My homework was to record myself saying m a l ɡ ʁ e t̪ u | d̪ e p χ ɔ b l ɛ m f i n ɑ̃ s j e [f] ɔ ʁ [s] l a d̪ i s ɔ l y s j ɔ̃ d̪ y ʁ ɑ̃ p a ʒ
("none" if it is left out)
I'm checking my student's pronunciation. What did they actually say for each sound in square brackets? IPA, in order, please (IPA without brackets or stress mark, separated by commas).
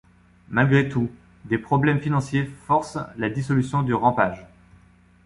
f, s